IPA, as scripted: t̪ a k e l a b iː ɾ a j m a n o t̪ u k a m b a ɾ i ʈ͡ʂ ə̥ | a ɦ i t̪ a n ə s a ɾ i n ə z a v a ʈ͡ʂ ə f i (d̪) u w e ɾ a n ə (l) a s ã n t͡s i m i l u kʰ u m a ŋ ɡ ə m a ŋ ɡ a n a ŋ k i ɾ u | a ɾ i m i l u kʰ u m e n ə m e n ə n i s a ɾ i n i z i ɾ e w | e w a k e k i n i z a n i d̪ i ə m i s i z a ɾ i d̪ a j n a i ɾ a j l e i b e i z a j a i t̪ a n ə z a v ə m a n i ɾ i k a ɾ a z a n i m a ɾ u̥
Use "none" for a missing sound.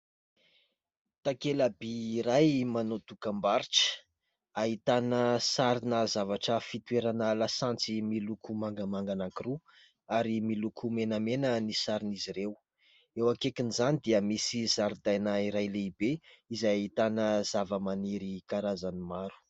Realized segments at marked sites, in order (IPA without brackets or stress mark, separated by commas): t̪, l